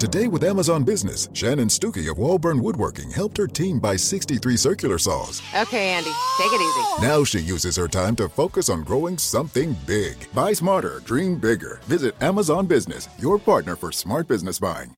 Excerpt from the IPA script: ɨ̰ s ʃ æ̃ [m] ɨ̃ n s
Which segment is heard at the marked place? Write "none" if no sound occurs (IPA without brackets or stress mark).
n